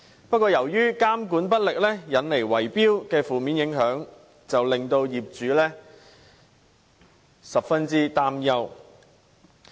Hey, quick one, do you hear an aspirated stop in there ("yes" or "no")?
no